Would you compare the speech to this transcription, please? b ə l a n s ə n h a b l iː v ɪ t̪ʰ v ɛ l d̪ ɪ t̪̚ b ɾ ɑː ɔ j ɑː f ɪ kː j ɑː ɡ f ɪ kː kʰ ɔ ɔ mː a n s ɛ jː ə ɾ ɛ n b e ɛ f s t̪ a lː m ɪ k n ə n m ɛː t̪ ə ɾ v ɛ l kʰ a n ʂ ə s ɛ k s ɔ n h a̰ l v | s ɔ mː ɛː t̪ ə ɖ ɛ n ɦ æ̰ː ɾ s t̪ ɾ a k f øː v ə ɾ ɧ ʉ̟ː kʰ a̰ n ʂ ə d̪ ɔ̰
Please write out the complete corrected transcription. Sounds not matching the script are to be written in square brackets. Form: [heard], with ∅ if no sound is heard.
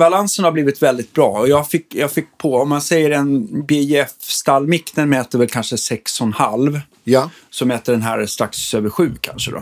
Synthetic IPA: b [a] l a n s ə n h a b l iː v ɪ [t̪] v ɛ l d̪ ɪ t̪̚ b ɾ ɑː ɔ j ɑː f ɪ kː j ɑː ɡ f ɪ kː [pʰ] ɔ ɔ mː a n s ɛ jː ə ɾ ɛ n b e ɛ f s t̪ a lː m ɪ k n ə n m ɛː t̪ ə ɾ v ɛ l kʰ a n ʂ ə s ɛ k s ɔ n h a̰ l v | s ɔ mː ɛː t̪ ə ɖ ɛ n ɦ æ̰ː ɾ s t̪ ɾ a k [s] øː v ə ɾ ɧ ʉ̟ː kʰ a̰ n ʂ ə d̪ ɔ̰